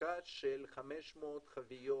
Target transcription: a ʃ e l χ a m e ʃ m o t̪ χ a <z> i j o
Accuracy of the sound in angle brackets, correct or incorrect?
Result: incorrect